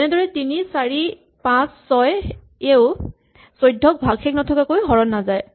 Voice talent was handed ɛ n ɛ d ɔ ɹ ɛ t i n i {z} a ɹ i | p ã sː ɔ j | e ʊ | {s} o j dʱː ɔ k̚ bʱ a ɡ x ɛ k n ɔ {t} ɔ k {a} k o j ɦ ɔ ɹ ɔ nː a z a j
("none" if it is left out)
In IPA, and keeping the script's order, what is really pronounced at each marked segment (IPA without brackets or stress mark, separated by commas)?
s, s, tʰ, a